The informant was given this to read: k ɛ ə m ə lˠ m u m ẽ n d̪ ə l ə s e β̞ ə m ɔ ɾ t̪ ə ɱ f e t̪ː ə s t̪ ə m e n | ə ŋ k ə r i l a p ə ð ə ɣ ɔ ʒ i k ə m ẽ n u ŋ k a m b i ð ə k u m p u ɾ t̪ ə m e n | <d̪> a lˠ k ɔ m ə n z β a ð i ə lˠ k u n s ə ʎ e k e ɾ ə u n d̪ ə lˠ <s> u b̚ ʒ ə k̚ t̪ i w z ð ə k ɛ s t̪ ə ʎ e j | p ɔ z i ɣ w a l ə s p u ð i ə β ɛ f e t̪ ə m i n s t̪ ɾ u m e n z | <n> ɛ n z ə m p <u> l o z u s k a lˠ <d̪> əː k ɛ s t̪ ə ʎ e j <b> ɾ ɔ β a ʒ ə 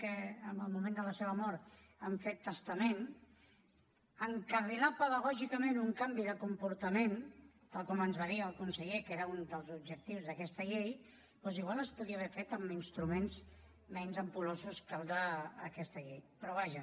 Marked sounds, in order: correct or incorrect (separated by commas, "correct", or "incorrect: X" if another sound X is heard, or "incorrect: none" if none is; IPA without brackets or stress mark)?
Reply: incorrect: t̪, incorrect: z, incorrect: m, correct, correct, incorrect: p